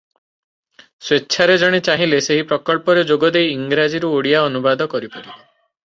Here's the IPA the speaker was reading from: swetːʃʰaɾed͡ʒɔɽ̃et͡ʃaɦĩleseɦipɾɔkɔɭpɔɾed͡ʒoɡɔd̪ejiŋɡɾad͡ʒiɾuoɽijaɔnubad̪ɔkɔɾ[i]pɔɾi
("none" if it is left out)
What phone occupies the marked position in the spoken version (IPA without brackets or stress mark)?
i